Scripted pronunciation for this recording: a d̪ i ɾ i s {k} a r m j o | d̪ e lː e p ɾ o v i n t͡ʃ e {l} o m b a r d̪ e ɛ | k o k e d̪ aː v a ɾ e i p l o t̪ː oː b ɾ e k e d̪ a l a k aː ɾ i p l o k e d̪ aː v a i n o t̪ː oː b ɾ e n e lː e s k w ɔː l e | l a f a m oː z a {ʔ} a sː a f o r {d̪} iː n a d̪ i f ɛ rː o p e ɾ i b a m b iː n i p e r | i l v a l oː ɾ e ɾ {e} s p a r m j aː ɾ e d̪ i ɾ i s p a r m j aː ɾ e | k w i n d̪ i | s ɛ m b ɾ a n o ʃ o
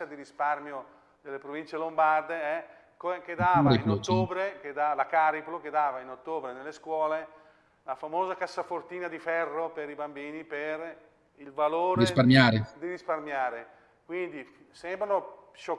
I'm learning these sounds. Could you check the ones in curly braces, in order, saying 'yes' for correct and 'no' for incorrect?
no, yes, no, no, no

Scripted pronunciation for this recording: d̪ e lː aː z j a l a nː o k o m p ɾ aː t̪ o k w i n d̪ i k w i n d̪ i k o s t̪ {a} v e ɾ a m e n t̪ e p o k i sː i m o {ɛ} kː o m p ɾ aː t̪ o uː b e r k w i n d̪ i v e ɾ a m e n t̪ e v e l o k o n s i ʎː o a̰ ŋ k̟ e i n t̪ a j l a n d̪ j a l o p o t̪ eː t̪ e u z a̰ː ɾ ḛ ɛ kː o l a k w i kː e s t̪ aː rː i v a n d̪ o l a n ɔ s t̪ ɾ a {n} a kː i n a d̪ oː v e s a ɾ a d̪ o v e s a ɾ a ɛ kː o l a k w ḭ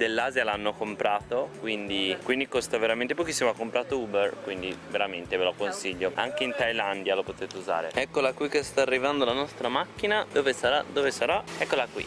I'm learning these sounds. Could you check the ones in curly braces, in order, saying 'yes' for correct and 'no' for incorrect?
yes, no, no

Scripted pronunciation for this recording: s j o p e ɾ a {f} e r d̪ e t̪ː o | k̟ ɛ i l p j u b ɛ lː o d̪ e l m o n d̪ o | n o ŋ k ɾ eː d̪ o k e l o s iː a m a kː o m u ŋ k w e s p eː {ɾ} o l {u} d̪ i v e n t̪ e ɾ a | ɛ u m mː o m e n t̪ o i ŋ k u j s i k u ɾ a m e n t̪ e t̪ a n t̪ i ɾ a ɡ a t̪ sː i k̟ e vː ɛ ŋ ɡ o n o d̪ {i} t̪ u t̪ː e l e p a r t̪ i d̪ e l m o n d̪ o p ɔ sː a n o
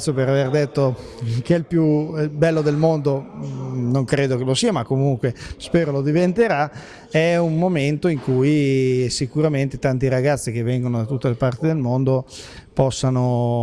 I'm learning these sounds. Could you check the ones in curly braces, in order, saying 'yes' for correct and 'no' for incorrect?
no, yes, no, no

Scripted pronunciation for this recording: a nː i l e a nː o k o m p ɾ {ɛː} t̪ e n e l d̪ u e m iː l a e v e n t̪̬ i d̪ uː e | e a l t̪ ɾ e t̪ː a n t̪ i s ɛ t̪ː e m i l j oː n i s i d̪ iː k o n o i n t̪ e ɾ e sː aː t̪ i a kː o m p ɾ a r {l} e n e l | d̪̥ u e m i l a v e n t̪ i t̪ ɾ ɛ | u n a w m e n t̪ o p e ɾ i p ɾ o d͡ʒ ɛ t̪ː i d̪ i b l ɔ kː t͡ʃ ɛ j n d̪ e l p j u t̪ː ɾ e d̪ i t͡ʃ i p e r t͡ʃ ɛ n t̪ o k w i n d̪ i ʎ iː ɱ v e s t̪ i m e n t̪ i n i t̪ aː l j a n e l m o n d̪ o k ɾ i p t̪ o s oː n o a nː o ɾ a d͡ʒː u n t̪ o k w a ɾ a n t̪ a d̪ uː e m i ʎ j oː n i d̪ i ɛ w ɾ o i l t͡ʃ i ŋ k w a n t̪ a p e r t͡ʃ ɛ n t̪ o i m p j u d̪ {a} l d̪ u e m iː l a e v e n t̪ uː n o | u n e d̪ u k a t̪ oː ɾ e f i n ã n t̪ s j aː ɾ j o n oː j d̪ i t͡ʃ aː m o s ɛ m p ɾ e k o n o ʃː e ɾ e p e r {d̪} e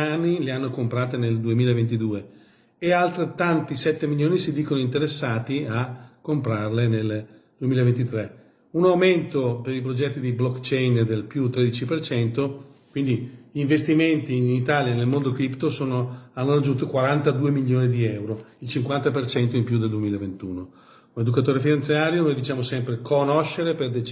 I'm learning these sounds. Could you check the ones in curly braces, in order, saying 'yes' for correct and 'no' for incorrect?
no, yes, no, yes

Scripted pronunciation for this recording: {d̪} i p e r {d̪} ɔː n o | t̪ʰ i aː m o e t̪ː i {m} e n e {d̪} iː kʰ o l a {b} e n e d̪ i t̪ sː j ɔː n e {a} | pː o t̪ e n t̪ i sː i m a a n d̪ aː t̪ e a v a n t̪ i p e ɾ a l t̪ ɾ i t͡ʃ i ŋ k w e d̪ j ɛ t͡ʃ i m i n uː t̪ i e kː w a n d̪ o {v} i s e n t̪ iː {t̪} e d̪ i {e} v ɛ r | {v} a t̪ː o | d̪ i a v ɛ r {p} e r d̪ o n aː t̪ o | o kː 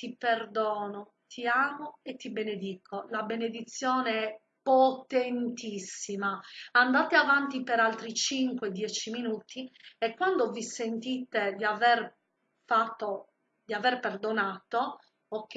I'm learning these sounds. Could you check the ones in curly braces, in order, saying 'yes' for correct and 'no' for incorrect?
no, yes, no, yes, yes, no, yes, yes, no, no, yes

